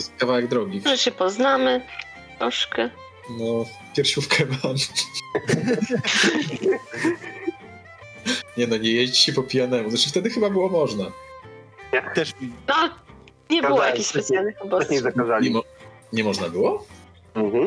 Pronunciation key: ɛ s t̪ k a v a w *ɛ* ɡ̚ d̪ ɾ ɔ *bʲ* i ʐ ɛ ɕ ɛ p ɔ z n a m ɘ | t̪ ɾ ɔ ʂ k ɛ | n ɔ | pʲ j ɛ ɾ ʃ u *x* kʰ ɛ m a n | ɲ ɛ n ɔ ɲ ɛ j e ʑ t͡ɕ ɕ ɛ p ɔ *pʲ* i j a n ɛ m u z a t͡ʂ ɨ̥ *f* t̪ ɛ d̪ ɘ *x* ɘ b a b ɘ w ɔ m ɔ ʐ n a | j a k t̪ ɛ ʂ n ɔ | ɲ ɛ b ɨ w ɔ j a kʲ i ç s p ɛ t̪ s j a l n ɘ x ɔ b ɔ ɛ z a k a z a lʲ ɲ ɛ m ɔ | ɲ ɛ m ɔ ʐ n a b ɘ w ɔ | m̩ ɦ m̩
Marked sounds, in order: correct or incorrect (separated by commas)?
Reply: correct, incorrect, incorrect, correct, correct, correct